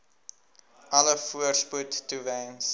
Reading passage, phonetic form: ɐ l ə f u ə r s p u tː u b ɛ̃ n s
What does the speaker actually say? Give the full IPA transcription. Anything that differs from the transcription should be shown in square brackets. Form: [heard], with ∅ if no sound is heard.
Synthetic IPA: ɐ l ə f u ə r s p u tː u [v] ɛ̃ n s